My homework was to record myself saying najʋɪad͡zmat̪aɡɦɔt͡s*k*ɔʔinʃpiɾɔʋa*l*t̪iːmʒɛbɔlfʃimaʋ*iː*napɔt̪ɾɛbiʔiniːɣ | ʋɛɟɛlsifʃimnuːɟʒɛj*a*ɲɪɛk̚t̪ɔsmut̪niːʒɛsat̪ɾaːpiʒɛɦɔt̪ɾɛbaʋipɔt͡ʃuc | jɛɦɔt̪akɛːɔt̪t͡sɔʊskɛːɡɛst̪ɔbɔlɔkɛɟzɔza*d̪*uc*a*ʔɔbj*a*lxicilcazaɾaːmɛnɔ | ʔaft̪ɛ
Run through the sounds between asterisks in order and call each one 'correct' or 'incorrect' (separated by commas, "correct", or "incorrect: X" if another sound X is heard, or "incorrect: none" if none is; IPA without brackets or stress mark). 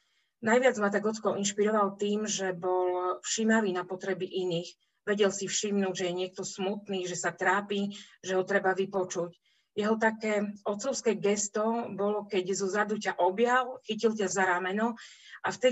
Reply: correct, correct, correct, incorrect: ɛ, correct, correct, correct